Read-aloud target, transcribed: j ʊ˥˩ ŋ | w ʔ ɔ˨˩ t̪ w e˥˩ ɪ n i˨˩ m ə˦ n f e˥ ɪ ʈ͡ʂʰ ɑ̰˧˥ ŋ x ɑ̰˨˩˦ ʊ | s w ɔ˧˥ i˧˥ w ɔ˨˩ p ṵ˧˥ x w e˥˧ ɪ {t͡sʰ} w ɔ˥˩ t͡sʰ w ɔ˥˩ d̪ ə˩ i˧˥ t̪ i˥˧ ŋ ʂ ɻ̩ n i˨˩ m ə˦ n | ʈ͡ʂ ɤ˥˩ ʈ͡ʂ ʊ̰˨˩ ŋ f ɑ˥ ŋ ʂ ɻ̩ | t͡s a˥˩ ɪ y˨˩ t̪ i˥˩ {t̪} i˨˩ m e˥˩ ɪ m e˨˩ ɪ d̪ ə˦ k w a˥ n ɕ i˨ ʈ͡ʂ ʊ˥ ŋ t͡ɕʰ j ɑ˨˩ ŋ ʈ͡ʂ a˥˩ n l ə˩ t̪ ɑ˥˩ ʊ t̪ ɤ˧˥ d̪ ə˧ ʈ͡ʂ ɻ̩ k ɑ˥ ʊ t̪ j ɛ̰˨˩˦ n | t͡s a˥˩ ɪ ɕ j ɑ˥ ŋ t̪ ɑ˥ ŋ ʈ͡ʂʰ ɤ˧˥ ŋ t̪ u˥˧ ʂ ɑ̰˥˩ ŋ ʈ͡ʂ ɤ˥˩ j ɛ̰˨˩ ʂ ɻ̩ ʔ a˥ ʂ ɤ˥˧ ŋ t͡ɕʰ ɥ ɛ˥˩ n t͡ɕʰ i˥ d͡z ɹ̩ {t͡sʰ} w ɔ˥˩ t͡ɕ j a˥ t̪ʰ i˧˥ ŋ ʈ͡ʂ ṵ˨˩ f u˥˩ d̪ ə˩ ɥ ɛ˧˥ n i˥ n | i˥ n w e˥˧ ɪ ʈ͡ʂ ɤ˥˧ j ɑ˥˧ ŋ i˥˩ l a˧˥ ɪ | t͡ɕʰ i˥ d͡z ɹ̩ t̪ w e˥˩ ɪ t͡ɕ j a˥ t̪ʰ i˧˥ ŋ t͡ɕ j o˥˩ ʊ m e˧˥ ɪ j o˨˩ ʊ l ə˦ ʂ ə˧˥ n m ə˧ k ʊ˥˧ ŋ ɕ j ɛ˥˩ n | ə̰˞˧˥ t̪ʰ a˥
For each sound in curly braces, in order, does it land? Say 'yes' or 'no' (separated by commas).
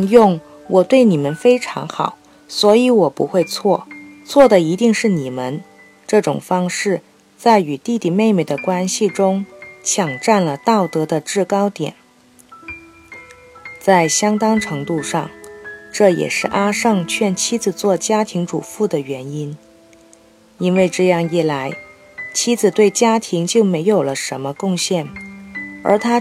yes, yes, no